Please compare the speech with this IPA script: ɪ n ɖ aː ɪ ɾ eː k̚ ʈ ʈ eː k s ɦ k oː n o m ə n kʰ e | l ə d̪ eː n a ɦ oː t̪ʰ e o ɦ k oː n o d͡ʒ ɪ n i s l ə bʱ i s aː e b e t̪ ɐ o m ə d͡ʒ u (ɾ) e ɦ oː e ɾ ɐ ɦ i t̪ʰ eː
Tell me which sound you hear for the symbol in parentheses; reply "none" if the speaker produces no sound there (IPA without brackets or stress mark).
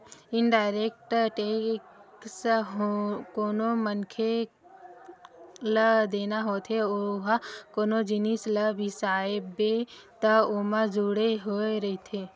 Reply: ɽ